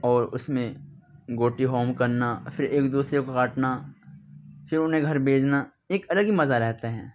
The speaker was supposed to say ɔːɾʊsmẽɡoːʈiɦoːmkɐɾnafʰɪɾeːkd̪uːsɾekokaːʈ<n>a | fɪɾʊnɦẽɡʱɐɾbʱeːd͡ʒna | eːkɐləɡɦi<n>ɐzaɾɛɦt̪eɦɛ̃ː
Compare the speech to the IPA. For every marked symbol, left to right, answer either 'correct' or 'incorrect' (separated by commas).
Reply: correct, incorrect